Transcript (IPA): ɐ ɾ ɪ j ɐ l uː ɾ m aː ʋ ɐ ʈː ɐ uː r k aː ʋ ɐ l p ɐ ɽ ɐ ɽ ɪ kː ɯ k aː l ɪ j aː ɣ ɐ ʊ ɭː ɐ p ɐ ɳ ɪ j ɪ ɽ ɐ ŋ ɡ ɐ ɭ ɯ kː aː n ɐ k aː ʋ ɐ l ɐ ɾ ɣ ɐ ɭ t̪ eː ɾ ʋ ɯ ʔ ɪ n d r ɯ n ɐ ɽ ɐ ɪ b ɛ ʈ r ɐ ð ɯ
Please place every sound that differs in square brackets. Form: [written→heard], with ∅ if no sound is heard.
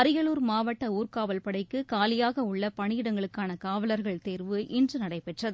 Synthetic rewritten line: ɐ ɾ ɪ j ɐ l uː ɾ m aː ʋ ɐ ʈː ɐ uː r k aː ʋ ɐ l p ɐ ɽ ɐ [ɽ→∅] ɪ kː ɯ k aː l ɪ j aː ɣ ɐ ʊ ɭː ɐ p ɐ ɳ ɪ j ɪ ɽ ɐ ŋ ɡ ɐ ɭ ɯ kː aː n ɐ k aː ʋ ɐ l ɐ ɾ ɣ ɐ ɭ t̪ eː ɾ ʋ ɯ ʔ ɪ n d r ɯ n ɐ ɽ ɐ ɪ [b→p] ɛ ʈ r ɐ ð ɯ